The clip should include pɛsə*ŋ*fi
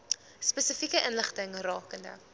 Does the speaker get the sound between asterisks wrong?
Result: yes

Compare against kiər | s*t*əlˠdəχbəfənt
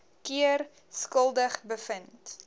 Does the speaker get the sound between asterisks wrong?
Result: yes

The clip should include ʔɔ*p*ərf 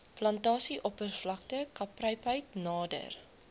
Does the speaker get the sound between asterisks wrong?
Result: no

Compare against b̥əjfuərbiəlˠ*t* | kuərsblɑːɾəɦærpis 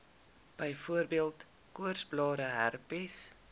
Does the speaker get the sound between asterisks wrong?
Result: no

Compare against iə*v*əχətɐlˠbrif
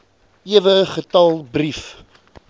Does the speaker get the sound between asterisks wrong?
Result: no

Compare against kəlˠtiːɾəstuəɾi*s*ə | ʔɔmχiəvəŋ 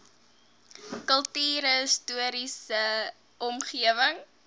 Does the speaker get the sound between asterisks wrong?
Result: no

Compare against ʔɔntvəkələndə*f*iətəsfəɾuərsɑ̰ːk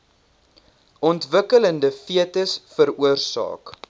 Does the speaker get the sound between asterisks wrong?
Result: no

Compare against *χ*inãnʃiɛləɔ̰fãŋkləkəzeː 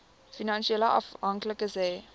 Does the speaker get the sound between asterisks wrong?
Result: yes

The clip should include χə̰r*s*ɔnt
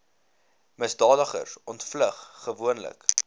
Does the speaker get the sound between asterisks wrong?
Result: no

